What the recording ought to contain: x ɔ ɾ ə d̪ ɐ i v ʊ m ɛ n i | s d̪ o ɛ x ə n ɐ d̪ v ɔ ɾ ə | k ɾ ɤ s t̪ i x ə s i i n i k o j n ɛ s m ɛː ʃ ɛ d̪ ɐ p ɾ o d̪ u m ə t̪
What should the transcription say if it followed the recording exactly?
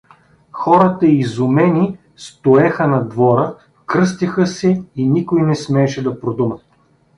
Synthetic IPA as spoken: x ɔ ɾ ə t̪ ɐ i z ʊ m ɛ n i | s t̪ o ɛ x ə n ɐ d̪ v ɔ ɾ ə | k ɾ ɤ s t̪ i x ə s ɛ i n i k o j n ɛ s m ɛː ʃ ɛ d̪ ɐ p ɾ o d̪ u m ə t̪